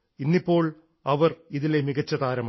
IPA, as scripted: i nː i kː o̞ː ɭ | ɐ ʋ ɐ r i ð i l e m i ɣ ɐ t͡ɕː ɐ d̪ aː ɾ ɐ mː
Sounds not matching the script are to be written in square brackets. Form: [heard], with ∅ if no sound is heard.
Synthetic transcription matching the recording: i nː i [pː] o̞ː ɭ | ɐ ʋ ɐ r i ð i l e m i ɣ ɐ t͡ɕː ɐ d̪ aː ɾ ɐ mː